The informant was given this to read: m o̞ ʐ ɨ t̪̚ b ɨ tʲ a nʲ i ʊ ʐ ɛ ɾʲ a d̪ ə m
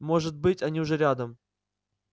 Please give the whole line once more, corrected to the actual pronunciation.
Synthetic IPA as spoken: m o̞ ʐ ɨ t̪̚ b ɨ tʲ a nʲ i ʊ ʐ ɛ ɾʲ a d̪ ə m